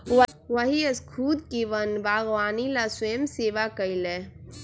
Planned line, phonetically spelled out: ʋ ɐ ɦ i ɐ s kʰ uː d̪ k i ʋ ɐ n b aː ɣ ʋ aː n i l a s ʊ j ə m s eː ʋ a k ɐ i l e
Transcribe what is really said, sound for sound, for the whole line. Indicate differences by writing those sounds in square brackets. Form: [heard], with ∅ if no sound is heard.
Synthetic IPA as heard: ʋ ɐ ɦ i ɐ s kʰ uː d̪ k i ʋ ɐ n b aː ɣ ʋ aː n i l a s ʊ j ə m s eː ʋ a k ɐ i l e